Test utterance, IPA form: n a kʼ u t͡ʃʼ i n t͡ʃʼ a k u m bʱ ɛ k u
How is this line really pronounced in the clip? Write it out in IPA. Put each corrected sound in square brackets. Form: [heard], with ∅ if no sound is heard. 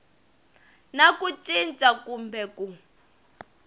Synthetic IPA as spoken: n a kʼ u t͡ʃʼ i n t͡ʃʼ a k u m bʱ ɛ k u